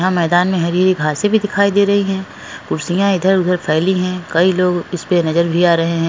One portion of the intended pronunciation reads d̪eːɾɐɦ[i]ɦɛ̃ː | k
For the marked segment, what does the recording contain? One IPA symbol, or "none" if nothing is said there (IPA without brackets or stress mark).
i